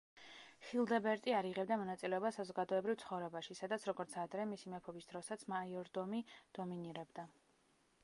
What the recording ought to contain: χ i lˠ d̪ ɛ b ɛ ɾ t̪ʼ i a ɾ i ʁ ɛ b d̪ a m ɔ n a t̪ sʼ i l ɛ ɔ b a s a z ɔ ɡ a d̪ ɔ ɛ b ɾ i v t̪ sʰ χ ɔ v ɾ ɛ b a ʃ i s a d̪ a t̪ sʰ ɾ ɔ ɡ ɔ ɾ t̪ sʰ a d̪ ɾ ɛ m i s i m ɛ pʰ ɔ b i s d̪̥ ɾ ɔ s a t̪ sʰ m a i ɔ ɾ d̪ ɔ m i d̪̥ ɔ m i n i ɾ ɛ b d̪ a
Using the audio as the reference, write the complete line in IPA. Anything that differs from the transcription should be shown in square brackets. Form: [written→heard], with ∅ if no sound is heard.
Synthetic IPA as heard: χ i lˠ d̪ ɛ b ɛ ɾ t̪ʼ i a ɾ i ʁ ɛ b d̪ a m ɔ n a t̪ sʼ i l ɛ ɔ b a s a z ɔ ɡ a d̪ ɔ ɛ b ɾ i v t̪ sʰ χ ɔ v ɾ ɛ b a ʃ i s a d̪ a t̪ sʰ ɾ ɔ ɡ ɔ ɾ t̪ sʰ a d̪ ɾ ɛ m i s i m ɛ pʰ ɔ b i s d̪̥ ɾ ɔ s a t̪ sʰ m a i ɔ ɾ d̪ ɔ m i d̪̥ ɔ m i n i ɾ ɛ b d̪ a